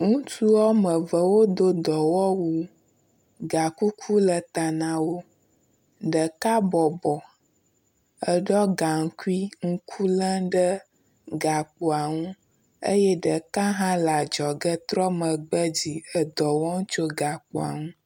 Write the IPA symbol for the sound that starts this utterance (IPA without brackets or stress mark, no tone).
ŋ